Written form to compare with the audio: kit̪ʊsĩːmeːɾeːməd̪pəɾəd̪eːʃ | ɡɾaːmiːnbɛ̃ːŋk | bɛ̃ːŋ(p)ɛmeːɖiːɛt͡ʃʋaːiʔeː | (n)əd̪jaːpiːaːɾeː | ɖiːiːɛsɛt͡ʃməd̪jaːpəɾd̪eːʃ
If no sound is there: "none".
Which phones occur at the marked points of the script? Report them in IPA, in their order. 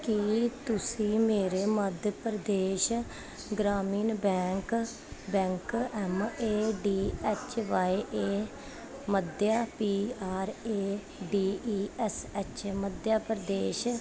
k, m

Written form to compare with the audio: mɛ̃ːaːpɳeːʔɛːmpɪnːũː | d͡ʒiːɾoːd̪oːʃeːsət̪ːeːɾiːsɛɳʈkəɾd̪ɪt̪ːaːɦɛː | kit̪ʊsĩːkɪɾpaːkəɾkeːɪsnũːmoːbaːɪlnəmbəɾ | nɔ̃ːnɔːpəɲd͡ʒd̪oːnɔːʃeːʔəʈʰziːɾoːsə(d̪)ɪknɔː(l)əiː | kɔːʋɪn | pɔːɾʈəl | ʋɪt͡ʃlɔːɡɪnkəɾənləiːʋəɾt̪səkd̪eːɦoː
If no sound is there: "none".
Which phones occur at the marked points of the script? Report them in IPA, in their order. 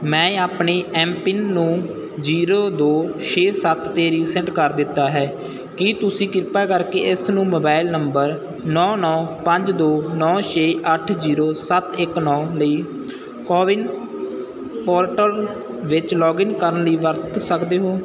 t̪, l

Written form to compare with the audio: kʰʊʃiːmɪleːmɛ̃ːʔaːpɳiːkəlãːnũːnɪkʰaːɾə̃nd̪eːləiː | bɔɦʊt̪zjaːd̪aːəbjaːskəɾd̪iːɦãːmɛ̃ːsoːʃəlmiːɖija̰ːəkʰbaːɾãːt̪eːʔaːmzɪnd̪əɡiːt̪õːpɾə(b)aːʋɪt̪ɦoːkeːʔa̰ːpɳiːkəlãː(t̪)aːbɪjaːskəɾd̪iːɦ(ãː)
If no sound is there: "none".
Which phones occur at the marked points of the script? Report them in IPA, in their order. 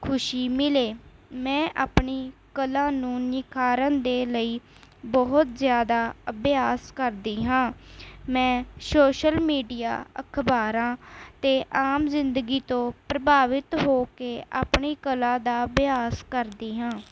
b, d̪, ãː

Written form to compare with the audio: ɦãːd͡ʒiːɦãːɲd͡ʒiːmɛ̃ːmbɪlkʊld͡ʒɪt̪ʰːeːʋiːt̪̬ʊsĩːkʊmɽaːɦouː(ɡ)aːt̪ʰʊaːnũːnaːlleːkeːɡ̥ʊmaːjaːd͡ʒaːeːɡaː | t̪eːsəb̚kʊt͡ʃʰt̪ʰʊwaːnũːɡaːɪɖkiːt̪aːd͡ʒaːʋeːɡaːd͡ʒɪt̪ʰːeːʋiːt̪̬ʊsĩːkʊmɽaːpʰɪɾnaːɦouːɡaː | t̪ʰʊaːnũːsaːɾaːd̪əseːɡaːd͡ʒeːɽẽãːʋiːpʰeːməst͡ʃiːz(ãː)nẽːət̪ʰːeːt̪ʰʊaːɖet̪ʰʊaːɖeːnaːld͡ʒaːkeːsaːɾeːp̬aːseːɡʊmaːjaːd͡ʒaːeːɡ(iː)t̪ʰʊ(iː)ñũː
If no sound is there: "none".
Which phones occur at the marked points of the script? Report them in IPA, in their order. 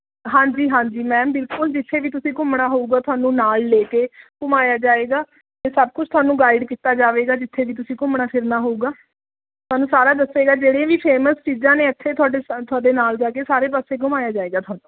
ɡ, ãː, aː, aː

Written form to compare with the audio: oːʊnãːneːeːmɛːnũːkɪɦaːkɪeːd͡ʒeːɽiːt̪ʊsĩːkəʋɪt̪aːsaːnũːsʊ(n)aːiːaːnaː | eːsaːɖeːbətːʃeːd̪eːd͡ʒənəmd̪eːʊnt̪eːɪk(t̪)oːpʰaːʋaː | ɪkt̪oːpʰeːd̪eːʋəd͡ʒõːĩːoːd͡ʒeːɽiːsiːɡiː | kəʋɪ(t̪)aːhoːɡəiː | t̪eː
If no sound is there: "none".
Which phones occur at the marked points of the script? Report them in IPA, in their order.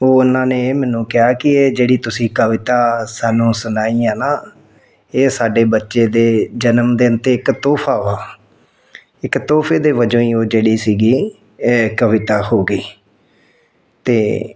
n, t̪, t̪

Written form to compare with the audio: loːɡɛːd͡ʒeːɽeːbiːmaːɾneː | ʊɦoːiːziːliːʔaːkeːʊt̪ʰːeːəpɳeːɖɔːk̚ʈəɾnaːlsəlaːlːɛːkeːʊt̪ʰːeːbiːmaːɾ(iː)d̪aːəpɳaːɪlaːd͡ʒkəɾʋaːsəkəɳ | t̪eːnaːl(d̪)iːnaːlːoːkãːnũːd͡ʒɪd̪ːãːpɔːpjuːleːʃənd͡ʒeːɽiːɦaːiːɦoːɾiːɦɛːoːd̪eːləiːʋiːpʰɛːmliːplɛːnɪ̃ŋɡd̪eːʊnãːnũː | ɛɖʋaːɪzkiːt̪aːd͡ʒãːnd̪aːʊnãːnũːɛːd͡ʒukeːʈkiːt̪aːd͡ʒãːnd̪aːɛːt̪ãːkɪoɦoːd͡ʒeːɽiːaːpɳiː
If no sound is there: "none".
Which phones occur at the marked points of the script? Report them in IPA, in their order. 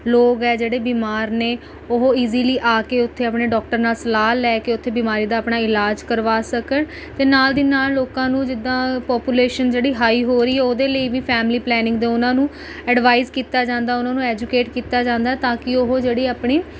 iː, d̪

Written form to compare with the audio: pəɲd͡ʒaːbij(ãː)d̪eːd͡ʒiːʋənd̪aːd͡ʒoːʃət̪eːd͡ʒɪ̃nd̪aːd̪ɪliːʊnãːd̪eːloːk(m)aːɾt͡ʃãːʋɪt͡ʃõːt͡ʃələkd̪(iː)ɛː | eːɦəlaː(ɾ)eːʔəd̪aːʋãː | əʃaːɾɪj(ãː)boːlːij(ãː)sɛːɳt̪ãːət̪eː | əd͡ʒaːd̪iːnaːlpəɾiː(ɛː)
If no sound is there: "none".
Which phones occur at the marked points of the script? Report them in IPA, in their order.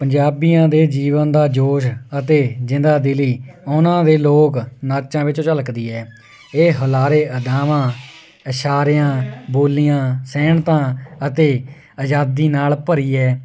ãː, n, iː, ɾ, ãː, ãː, ɛː

